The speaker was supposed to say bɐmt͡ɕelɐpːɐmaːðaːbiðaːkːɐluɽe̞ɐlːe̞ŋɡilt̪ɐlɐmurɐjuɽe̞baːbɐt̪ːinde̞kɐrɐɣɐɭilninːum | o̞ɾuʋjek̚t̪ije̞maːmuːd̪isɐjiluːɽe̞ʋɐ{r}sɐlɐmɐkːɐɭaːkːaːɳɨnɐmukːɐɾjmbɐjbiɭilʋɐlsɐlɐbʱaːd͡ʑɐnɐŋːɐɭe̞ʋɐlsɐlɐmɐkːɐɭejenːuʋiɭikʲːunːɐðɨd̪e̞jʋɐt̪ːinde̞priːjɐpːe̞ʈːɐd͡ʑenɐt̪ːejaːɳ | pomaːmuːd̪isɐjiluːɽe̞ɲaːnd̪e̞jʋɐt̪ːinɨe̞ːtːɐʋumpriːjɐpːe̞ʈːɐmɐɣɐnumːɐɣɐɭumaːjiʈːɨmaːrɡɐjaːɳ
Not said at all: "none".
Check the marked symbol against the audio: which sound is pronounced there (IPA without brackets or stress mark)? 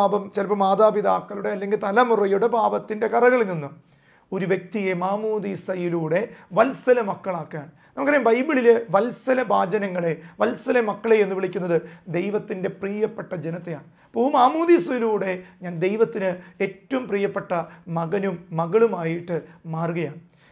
l